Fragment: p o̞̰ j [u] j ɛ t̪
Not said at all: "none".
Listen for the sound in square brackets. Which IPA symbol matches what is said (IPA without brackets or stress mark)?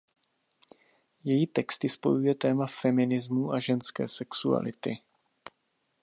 u